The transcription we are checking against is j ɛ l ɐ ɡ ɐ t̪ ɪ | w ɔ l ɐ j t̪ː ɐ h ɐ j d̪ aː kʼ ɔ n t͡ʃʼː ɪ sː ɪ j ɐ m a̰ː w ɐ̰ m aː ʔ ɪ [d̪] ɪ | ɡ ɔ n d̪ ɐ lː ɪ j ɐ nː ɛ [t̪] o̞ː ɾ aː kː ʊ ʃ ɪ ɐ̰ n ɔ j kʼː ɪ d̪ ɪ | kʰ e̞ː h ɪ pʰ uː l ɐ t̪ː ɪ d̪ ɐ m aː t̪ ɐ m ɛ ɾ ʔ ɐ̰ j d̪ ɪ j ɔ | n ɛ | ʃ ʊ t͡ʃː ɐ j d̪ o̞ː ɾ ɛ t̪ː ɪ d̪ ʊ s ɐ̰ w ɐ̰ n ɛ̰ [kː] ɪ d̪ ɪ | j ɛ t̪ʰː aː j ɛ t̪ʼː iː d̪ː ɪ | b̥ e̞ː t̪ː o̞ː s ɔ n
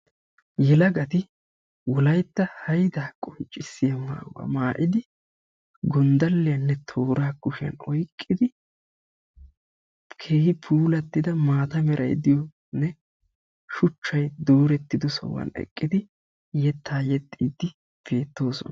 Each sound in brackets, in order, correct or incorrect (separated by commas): correct, incorrect, incorrect